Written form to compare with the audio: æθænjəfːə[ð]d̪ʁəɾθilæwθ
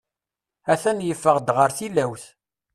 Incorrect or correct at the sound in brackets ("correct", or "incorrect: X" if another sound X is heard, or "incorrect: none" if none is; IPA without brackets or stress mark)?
incorrect: ʁ